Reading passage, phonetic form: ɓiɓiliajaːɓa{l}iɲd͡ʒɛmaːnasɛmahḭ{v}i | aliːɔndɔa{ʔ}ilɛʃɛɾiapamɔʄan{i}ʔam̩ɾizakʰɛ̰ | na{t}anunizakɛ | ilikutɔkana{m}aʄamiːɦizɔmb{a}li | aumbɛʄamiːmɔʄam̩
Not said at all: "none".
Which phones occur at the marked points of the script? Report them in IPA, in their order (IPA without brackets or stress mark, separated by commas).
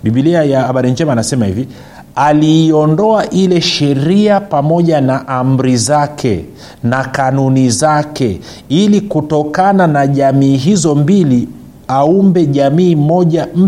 ɾ, v, ʔ, a, k, n, i